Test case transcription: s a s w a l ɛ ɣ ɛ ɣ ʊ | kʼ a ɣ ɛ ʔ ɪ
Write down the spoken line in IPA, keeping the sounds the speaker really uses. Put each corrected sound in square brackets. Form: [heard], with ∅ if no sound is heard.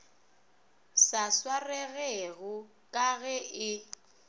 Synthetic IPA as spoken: s a s w a [r] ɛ ɣ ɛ ɣ ʊ | kʼ a ɣ ɛ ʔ ɪ